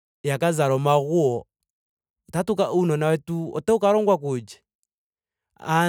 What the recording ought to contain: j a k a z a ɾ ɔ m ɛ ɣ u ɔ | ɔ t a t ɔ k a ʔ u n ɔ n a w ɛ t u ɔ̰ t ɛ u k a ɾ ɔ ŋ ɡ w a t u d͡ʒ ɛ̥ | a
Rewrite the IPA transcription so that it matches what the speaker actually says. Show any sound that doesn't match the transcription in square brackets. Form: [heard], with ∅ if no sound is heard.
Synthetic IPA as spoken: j a k a z a ɾ ɔ m [a] ɣ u ɔ | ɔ t a t [u] k a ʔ u n ɔ n a w ɛ t u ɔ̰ t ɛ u k a ɾ ɔ ŋ ɡ w a [k] u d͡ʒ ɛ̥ | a